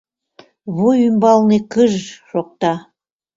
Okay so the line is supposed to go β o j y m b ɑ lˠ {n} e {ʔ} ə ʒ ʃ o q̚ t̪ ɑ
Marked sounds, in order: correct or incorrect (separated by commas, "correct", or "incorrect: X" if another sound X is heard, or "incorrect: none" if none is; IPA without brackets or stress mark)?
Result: correct, incorrect: k